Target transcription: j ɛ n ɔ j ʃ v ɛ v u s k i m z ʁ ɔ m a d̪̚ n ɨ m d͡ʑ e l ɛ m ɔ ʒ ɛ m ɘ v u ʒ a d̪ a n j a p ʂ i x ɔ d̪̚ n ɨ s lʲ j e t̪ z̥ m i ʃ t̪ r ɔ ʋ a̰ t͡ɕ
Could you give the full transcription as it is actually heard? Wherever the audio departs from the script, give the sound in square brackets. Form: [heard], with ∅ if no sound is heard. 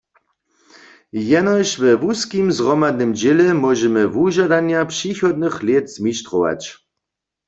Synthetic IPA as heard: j ɛ n ɔ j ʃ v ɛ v u s k i m z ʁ ɔ m a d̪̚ n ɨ m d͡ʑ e l ɛ m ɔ ʒ ɛ m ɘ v u ʒ a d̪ a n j a p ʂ i x ɔ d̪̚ n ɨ [x] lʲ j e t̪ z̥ m i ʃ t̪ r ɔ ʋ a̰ t͡ɕ